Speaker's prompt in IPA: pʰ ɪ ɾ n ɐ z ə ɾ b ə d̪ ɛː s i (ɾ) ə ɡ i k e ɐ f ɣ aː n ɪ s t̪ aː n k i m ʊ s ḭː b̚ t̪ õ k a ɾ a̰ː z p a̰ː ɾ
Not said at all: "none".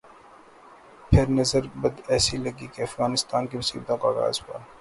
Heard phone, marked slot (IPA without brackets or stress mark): l